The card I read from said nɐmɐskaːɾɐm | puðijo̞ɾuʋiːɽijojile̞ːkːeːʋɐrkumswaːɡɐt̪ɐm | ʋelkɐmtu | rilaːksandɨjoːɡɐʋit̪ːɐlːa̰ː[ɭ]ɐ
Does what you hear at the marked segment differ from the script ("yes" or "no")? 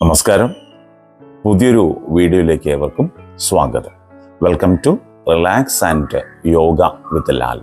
yes